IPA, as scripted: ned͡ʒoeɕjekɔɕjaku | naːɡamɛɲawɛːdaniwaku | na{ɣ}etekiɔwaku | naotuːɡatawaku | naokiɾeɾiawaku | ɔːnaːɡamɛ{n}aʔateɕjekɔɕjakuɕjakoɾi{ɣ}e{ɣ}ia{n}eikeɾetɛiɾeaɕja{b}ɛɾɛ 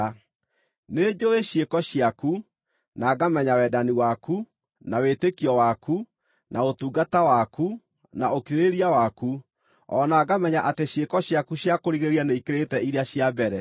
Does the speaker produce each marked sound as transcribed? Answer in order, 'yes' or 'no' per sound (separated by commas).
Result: no, no, yes, yes, yes, yes